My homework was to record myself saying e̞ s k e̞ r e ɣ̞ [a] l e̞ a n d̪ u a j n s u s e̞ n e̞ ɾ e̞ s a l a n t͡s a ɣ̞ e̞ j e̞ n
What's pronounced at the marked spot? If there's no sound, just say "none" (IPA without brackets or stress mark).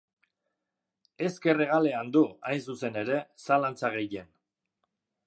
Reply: a